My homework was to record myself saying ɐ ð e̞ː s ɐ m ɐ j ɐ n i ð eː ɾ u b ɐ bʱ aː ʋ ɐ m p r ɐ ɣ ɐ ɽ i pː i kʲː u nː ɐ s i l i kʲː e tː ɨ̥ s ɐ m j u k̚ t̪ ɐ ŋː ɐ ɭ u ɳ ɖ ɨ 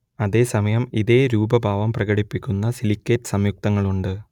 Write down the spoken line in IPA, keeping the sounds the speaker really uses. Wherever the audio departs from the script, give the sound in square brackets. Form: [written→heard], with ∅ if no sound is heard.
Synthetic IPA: ɐ ð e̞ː s ɐ m ɐ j ɐ [n→m] i ð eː ɾ [u→uː] b ɐ bʱ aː ʋ ɐ m p r ɐ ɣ ɐ ɽ i pː i kʲː u nː ɐ s i l i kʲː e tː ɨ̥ s ɐ m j u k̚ t̪ ɐ ŋː ɐ ɭ u ɳ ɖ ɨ